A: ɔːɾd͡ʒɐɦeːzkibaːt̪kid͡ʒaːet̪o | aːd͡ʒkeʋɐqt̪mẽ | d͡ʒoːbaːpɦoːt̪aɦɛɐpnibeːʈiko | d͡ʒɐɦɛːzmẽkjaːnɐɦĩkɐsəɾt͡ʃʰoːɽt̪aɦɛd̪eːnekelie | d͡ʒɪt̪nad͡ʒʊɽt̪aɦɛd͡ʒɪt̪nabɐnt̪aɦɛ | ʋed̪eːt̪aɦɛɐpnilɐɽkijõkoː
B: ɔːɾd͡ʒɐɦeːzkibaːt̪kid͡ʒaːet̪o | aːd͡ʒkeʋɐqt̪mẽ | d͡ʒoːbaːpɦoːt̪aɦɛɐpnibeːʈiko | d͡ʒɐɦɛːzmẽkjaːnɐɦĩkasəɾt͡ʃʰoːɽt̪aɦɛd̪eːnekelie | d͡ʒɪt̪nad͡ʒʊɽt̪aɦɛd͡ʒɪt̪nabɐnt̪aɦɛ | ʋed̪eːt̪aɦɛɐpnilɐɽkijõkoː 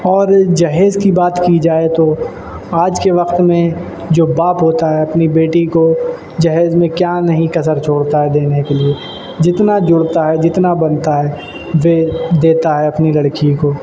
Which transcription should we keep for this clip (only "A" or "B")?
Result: A